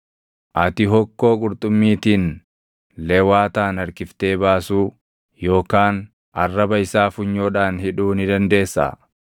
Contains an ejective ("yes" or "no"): yes